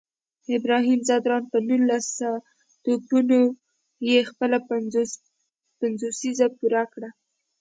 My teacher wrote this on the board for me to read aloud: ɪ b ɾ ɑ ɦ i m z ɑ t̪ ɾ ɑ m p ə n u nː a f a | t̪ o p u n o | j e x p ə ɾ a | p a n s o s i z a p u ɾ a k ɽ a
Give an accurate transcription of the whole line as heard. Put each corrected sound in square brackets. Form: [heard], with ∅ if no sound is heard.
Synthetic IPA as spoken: ɪ b ɾ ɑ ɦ i m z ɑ [d̪] ɾ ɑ [n] p ə n u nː a [s] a | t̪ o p u n o | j e x p ə [l] a | p a n [z] o s i z a p u ɾ a k ɽ a